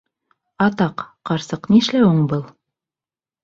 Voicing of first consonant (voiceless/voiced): voiceless